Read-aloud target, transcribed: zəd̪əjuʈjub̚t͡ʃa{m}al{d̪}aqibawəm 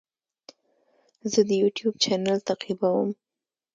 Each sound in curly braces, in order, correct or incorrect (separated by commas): incorrect, incorrect